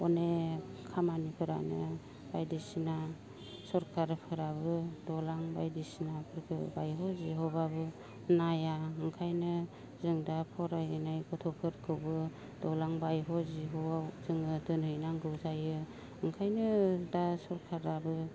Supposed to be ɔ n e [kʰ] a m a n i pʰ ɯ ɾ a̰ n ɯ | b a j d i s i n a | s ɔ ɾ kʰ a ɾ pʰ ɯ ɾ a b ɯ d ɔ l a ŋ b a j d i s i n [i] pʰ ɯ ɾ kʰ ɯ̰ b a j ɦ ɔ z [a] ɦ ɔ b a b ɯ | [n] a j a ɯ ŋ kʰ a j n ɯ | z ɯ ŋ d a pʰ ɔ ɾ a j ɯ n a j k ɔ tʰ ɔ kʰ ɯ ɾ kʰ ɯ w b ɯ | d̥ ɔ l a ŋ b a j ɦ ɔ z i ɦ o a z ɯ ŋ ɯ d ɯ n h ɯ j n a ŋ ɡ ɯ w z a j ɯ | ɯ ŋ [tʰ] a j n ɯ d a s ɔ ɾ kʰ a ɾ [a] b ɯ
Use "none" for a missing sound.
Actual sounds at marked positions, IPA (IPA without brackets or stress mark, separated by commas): kʰ, a, i, n, kʰ, a